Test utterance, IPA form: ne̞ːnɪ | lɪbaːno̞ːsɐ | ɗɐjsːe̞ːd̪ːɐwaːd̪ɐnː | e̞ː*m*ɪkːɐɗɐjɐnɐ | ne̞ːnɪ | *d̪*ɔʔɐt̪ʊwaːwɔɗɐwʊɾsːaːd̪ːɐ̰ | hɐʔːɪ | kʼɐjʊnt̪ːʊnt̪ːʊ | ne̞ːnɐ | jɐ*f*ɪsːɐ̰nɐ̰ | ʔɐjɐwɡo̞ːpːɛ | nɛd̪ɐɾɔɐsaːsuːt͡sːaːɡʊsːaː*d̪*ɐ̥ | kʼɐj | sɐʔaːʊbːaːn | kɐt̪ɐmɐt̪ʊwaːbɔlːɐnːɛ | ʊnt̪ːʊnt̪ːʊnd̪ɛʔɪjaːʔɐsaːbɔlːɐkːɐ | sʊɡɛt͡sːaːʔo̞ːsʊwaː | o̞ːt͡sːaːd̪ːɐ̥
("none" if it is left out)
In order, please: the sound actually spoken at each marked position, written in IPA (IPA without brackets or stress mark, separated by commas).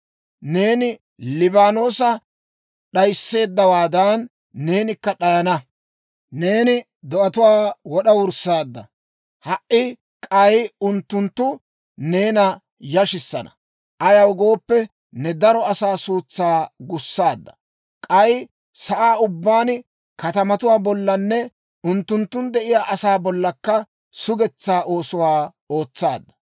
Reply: n, d̪, ʃ, d̪ː